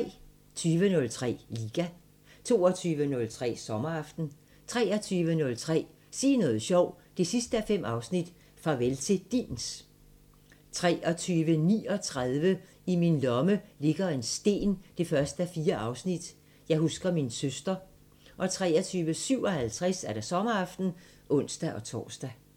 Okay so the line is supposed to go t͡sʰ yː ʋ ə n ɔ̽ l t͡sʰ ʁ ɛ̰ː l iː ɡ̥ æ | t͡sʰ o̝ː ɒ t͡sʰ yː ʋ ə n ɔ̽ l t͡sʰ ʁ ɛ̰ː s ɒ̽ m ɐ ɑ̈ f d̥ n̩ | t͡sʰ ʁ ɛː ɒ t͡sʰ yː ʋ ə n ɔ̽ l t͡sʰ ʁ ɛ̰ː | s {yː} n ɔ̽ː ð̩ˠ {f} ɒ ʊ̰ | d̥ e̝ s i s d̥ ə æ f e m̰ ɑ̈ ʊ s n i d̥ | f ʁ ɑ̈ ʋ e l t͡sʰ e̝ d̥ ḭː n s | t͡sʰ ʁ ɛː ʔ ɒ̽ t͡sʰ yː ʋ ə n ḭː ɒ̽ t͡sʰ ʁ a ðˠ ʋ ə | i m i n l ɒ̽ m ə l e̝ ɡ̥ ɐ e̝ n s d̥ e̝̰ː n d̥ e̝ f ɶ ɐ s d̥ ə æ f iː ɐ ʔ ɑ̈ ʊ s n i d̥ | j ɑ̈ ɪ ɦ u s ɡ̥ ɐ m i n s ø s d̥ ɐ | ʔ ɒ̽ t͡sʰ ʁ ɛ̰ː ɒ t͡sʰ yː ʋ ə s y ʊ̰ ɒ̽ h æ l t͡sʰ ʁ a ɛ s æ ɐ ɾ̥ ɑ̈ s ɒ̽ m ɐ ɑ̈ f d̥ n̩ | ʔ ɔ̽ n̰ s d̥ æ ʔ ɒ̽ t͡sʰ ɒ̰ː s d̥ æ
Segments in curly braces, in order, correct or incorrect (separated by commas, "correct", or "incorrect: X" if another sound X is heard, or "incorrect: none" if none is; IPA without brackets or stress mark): incorrect: iː, incorrect: ɕ